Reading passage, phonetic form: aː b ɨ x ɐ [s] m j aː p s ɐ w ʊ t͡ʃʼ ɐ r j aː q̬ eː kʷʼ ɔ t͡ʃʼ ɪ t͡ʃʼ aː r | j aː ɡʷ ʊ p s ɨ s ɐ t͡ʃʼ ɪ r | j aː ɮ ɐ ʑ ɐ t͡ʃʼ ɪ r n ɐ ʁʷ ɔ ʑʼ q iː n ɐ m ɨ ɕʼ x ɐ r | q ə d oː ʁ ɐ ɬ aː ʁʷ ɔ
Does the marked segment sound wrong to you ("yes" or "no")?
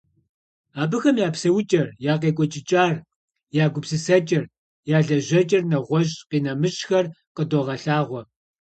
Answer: yes